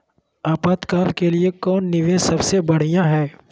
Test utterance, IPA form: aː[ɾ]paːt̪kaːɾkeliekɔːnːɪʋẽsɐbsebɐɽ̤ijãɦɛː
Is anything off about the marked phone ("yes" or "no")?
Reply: yes